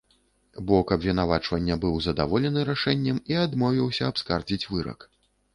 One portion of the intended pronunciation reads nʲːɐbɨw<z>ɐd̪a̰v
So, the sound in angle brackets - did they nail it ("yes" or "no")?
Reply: yes